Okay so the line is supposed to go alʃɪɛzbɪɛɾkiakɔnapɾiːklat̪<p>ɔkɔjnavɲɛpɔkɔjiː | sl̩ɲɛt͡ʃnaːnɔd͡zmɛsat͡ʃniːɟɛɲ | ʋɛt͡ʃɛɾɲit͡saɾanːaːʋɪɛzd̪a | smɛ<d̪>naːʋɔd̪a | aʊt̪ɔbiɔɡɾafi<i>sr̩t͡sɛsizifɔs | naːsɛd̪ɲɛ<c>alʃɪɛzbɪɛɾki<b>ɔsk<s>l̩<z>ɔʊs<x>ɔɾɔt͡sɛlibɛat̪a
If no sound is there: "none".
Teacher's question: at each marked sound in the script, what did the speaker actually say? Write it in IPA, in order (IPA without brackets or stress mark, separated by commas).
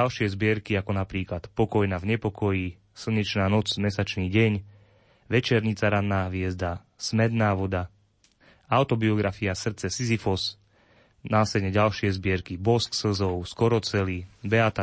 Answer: p, d̪, a, ɟ, b, s, z, k